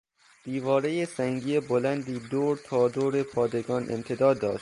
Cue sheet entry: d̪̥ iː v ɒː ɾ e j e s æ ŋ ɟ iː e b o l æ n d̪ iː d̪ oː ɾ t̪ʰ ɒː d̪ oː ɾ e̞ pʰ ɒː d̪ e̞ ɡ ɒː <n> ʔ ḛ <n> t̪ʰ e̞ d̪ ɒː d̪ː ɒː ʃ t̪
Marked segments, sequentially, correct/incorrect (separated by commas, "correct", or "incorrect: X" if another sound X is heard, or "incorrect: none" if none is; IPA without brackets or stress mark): correct, incorrect: m